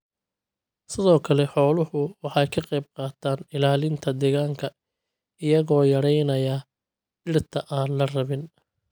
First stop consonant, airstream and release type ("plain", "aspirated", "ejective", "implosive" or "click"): aspirated